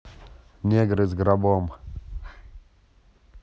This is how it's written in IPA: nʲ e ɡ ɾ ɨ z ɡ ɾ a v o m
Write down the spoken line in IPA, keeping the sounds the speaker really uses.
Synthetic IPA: nʲ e ɡ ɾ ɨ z ɡ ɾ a b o m